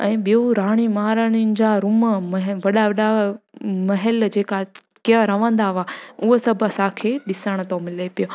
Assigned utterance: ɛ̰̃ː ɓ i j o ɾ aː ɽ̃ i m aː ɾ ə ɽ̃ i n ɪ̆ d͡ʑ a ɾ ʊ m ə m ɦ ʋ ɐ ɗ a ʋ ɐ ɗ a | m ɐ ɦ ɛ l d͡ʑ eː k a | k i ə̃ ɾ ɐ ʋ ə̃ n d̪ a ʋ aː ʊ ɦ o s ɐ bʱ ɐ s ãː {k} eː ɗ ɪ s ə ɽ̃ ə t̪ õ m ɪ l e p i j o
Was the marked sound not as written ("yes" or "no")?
yes